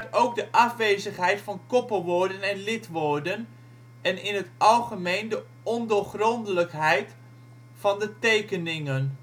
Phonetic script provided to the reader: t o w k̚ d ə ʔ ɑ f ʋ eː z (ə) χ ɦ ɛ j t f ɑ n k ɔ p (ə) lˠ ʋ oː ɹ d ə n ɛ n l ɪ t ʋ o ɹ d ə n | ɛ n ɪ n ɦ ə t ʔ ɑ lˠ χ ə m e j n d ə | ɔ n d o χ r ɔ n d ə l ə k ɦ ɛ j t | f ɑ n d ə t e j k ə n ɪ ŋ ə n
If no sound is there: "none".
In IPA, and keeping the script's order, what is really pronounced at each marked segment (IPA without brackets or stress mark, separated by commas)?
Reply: ə, ə